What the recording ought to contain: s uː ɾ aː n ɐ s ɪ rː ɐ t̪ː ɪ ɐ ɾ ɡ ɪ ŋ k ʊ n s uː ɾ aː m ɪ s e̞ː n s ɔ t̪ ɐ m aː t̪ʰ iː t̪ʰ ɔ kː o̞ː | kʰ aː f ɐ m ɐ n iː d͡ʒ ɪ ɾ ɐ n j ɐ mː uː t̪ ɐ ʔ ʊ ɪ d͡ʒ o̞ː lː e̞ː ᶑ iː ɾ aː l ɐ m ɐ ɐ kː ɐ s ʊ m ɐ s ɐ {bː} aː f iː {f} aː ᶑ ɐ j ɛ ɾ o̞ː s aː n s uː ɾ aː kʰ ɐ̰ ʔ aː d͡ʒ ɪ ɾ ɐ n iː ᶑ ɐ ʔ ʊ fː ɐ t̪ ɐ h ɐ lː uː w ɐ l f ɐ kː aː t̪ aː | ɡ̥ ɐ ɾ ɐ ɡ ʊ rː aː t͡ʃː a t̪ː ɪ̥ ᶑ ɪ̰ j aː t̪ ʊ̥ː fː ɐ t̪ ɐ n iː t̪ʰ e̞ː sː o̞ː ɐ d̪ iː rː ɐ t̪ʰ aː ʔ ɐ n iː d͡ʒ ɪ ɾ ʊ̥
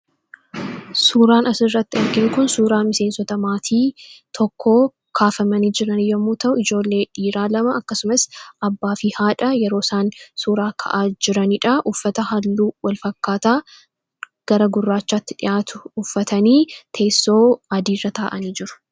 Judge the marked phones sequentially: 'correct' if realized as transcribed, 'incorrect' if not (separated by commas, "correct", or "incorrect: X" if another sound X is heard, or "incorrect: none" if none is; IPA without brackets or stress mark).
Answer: correct, incorrect: h